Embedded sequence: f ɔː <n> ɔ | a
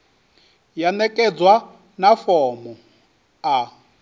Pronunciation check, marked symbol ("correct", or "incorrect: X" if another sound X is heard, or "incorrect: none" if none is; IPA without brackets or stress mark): incorrect: m